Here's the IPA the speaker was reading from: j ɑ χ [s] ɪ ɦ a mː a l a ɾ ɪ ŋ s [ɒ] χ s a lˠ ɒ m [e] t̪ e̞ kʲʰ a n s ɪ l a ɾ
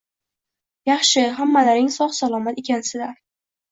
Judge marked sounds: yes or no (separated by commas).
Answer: no, yes, no